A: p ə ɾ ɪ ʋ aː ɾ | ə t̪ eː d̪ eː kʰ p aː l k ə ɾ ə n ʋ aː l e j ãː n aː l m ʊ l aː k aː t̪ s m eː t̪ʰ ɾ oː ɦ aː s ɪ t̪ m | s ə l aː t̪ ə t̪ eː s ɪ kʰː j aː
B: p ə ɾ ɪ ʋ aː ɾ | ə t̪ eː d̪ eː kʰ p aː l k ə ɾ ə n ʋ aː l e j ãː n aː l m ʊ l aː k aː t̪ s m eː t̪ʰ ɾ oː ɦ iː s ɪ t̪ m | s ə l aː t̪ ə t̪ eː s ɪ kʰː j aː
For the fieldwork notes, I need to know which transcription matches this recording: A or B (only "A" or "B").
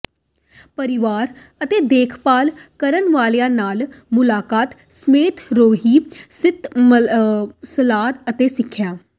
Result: B